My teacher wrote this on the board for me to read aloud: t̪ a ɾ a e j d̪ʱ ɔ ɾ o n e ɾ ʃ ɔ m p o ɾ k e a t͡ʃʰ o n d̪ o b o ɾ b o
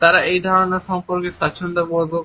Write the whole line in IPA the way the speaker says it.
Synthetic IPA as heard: t̪ a ɾ a e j d̪ʱ ɔ ɾ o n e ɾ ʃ ɔ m p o ɾ k e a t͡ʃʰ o n d̪ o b o l b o